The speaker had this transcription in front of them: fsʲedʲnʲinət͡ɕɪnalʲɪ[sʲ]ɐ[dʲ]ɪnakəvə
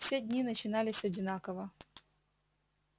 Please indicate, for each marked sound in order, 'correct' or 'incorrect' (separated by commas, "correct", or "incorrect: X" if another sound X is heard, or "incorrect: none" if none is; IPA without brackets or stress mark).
correct, correct